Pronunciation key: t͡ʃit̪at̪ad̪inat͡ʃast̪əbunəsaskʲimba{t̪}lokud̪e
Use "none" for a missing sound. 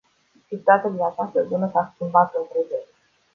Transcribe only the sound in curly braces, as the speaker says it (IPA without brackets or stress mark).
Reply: t̪